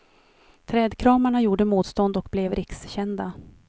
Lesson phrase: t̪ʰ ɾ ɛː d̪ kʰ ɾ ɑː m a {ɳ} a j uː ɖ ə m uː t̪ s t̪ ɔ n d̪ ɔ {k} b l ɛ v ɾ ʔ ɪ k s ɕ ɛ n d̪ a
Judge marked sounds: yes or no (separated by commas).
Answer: yes, yes